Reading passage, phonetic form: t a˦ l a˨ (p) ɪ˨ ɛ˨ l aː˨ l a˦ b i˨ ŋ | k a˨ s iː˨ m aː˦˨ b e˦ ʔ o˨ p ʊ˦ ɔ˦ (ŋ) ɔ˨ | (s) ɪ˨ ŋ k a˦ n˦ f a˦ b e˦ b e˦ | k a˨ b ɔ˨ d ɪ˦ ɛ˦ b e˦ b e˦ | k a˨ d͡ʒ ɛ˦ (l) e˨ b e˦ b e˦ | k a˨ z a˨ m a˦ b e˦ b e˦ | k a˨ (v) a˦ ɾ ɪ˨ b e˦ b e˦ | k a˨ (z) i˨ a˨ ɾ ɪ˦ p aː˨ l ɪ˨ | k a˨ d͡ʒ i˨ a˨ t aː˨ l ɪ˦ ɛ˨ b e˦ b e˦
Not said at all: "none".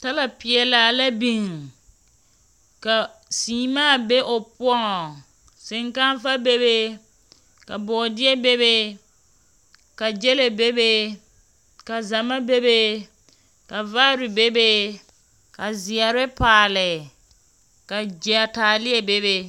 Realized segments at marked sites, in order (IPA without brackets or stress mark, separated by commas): p, ŋ, s, l, v, z